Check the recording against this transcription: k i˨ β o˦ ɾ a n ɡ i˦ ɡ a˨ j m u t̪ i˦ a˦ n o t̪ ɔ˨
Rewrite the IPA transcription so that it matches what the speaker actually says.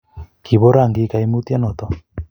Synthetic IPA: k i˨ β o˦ ɾ a ŋ ɡ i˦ k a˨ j m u t̪ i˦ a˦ n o t̪ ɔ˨